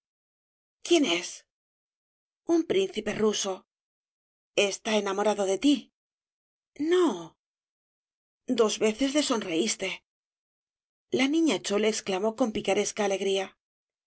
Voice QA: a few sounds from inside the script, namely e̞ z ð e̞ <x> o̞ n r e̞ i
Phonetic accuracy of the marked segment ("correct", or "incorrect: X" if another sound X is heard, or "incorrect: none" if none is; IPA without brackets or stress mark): incorrect: s